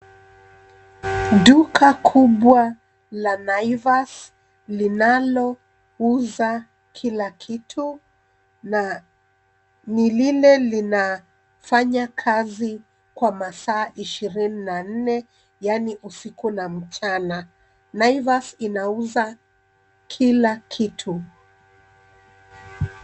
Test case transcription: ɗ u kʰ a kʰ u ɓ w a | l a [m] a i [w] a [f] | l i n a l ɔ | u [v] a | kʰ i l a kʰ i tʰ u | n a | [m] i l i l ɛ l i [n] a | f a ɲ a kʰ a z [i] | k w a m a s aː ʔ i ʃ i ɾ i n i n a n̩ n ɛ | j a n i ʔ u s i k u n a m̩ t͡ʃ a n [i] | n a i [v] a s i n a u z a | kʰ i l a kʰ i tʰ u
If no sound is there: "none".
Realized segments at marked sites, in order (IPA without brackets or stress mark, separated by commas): n, v, s, z, n, n, i, a, v